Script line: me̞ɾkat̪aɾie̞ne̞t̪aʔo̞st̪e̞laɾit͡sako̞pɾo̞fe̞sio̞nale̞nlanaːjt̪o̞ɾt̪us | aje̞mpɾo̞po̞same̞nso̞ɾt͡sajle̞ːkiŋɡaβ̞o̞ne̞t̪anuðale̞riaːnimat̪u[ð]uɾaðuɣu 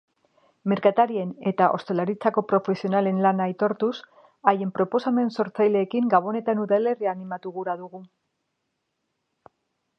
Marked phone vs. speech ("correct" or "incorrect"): incorrect